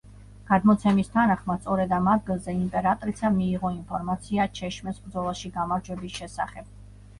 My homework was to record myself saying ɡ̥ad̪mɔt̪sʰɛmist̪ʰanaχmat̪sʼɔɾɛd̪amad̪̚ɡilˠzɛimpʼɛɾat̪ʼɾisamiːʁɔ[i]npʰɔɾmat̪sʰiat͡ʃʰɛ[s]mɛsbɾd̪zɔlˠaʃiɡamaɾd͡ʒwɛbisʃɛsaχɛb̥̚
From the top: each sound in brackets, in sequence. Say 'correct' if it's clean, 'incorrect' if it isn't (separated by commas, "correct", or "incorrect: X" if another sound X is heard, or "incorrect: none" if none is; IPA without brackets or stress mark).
correct, incorrect: ʃ